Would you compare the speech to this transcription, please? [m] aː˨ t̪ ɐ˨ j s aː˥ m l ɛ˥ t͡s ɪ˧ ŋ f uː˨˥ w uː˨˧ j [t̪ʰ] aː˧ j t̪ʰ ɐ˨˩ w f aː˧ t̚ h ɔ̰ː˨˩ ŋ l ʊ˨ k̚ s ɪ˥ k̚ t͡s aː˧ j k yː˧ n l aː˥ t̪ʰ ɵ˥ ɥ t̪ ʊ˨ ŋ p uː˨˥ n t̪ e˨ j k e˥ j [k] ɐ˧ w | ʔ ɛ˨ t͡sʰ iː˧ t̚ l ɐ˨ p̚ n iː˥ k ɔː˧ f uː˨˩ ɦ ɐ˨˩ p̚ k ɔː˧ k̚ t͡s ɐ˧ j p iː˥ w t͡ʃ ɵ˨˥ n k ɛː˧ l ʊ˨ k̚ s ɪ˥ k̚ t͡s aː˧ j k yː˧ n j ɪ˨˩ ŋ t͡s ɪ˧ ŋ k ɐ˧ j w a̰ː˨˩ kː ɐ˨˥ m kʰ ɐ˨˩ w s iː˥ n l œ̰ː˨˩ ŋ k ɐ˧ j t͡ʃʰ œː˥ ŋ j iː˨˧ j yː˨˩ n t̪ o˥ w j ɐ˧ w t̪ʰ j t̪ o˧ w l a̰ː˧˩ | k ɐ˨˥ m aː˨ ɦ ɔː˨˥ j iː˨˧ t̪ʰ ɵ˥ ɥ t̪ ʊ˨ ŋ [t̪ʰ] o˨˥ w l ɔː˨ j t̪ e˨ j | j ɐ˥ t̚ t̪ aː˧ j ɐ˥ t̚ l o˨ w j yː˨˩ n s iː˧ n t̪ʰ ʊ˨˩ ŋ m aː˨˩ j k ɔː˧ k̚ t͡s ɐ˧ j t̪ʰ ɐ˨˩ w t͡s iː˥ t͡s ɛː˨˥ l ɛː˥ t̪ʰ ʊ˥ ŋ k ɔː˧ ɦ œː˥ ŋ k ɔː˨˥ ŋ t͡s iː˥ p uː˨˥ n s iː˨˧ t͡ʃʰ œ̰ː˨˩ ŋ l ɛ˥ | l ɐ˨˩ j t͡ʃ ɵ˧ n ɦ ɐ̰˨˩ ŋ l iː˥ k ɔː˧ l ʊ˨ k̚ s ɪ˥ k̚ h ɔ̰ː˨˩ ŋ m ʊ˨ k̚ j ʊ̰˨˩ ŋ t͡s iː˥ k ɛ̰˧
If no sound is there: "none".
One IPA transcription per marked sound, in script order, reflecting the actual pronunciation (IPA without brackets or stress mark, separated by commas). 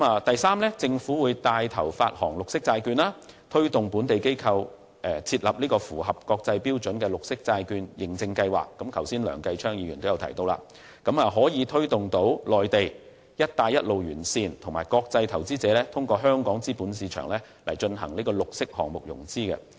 m, t̪, kʰ, t̪